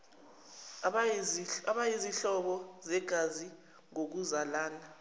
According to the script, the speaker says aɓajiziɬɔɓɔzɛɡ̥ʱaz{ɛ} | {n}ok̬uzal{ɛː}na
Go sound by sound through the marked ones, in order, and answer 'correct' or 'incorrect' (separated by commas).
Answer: incorrect, incorrect, incorrect